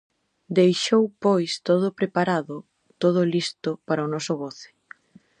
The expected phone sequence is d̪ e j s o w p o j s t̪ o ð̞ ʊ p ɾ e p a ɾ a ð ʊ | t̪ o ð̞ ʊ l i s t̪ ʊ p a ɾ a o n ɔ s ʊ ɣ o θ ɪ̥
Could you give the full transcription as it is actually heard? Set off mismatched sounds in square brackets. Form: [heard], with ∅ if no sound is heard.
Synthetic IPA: d̪ e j [ʃ] o w p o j s t̪ o ð̞ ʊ p ɾ e p a ɾ a ð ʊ | t̪ o ð̞ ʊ l i s t̪ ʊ p a ɾ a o n ɔ s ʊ ɣ o θ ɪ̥